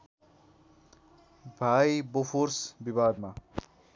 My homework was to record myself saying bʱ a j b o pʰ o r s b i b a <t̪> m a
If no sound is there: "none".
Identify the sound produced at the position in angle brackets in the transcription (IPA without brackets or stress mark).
d̪